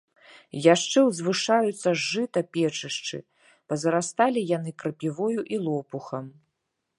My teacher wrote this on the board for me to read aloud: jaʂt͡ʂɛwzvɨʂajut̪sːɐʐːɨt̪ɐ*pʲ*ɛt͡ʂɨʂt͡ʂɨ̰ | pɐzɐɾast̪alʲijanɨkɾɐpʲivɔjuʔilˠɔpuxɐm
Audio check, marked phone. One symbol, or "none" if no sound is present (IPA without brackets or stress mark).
pʲ